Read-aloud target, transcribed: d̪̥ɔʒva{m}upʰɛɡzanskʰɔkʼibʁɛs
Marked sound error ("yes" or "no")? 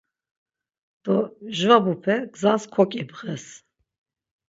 yes